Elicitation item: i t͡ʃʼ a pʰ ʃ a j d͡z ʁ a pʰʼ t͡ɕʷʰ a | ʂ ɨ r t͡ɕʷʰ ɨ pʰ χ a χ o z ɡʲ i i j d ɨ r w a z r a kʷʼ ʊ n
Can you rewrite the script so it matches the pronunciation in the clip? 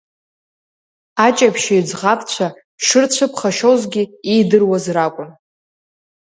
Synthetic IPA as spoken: a t͡ʃʼ a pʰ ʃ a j d͡z ʁ a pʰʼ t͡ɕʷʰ a | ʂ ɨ r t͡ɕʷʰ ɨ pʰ χ a ʃ o z ɡʲ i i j d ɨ r w a z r a kʷʼ ʊ n